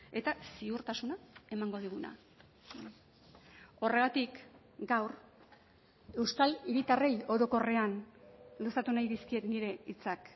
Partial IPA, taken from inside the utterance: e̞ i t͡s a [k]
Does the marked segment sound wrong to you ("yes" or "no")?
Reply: no